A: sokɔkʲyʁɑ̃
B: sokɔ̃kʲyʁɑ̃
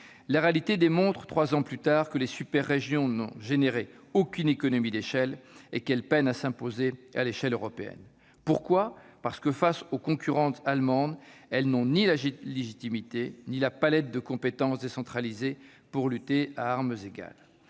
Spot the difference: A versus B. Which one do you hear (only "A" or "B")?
B